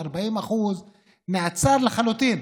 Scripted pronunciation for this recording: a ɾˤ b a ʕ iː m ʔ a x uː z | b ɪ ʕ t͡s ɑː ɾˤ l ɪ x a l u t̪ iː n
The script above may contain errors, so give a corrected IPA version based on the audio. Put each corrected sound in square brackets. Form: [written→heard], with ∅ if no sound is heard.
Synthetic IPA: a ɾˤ b a ʕ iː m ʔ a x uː z | [b→m] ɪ ʕ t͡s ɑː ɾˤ l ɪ x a l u t̪ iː n